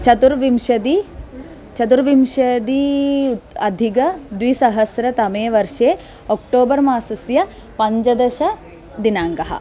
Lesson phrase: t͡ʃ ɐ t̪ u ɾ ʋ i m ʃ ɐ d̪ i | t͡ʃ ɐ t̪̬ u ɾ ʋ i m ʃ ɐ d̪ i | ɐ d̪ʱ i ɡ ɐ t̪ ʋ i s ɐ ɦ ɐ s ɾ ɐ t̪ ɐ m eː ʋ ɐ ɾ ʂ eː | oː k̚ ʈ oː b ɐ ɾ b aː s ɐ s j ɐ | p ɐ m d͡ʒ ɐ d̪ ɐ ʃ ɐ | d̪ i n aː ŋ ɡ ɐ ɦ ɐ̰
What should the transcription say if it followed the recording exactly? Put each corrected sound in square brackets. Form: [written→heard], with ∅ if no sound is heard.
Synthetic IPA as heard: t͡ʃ ɐ t̪ u ɾ ʋ i m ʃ ɐ d̪ i | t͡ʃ ɐ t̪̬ u ɾ ʋ i m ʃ ɐ d̪ i | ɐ d̪ʱ i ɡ ɐ [t̪→d̪] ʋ i s ɐ ɦ ɐ s ɾ ɐ t̪ ɐ m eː ʋ ɐ ɾ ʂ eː | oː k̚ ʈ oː b ɐ ɾ [b→m] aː s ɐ s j ɐ | p ɐ [m→ɲ] d͡ʒ ɐ d̪ ɐ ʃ ɐ | d̪ i n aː ŋ ɡ ɐ ɦ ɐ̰